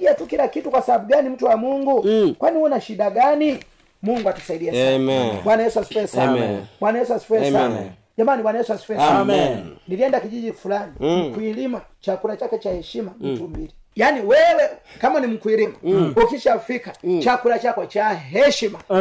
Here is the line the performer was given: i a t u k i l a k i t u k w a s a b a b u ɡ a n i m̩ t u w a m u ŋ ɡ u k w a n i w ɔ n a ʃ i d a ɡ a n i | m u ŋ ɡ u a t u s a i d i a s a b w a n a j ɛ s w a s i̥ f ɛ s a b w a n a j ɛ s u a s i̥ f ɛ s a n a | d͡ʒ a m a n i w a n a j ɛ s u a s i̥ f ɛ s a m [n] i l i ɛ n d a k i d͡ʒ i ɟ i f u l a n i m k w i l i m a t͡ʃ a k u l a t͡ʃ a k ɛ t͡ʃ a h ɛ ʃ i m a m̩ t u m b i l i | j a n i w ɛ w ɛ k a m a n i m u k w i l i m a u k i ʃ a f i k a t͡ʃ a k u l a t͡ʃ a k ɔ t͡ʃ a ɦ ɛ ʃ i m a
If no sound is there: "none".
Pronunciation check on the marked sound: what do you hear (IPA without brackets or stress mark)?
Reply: n